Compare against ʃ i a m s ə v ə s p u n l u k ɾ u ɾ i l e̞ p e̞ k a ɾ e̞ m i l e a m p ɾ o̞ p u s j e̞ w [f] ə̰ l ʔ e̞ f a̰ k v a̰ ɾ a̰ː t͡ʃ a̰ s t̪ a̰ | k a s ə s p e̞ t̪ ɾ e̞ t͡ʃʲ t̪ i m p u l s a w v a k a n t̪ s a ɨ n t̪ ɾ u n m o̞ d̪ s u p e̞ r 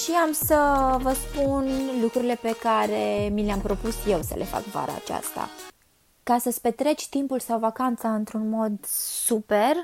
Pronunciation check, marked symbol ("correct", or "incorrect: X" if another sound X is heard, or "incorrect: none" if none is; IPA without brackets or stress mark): incorrect: s